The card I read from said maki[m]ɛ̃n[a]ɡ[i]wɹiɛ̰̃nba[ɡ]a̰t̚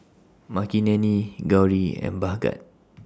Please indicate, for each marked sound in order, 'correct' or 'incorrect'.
incorrect, incorrect, incorrect, correct

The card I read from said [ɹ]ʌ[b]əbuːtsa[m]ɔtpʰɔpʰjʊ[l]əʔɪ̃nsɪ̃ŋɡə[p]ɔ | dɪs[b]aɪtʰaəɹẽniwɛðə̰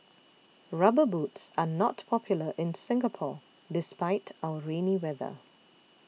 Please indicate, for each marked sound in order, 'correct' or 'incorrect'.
correct, correct, incorrect, correct, incorrect, incorrect

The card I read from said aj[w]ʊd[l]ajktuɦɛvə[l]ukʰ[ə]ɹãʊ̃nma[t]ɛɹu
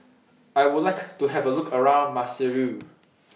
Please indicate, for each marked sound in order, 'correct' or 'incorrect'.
correct, correct, correct, correct, incorrect

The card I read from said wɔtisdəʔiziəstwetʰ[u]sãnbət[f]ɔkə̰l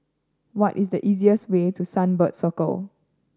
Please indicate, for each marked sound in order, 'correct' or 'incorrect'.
correct, incorrect

